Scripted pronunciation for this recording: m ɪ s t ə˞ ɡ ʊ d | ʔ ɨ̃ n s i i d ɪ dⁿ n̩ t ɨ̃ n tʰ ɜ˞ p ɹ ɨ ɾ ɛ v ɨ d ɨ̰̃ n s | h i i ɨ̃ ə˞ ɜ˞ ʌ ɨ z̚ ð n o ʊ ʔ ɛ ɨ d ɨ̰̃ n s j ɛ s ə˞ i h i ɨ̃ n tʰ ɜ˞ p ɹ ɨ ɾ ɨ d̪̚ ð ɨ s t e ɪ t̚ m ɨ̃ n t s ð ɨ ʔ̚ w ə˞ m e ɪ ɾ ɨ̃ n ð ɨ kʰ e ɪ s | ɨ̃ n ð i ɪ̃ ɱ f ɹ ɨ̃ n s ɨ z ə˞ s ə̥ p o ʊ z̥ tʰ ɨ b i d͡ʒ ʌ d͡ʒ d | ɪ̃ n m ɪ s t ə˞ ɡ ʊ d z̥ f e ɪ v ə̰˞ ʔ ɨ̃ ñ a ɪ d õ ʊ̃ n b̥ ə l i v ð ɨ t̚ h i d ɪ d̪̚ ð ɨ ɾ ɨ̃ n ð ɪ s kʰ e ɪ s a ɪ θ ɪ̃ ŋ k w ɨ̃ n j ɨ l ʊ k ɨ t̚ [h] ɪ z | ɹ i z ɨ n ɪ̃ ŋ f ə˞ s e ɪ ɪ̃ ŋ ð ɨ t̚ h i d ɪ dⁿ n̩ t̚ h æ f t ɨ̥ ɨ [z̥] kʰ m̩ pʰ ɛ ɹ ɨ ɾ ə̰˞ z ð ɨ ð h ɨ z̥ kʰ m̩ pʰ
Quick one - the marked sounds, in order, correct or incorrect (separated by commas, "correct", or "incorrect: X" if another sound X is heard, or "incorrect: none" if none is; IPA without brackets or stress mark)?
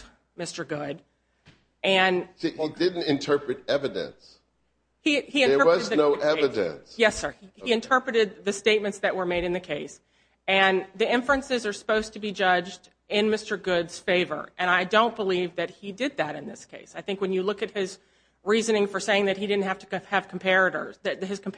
correct, incorrect: v̥